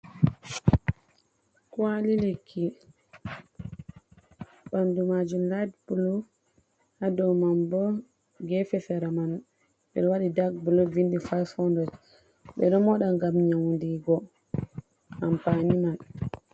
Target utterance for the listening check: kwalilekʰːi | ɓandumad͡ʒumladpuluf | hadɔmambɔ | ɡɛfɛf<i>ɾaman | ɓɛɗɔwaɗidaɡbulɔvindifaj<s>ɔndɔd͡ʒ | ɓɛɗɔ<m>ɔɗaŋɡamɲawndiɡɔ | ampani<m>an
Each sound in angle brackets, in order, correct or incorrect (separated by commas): incorrect, incorrect, correct, correct